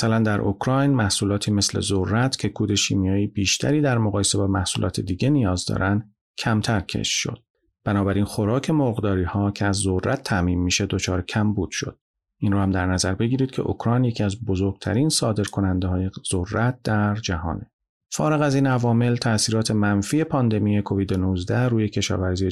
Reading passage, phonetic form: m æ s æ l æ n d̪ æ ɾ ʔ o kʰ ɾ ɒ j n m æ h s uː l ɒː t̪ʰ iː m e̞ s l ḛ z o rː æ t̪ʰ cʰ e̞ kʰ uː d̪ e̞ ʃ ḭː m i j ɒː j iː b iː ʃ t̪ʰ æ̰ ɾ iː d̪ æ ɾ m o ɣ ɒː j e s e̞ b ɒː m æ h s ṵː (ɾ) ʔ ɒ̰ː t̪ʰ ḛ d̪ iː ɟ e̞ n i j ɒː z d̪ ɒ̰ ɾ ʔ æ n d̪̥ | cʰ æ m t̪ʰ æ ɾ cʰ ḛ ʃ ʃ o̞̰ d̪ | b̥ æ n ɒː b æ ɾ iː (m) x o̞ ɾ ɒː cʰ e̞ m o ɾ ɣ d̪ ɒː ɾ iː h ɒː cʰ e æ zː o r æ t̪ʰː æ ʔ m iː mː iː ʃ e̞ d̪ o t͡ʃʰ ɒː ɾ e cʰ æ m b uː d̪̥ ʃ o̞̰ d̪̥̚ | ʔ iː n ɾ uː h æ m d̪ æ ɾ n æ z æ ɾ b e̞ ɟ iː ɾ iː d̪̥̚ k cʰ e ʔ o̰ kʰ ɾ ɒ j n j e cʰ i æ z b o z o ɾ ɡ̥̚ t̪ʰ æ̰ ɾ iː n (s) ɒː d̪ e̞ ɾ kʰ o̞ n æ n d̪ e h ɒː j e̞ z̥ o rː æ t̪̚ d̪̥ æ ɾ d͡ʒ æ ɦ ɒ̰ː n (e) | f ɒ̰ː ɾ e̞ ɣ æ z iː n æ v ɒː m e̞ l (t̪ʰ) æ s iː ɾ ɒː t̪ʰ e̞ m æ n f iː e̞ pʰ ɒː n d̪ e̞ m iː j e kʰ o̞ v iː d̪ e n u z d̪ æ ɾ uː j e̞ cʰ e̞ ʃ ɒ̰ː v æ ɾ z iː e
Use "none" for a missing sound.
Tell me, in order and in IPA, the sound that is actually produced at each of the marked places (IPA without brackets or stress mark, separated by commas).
l, n, s, e, t̪ʰ